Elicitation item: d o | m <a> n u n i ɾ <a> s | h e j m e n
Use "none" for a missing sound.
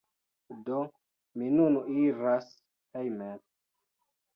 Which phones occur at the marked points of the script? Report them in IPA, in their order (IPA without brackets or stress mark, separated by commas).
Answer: i, a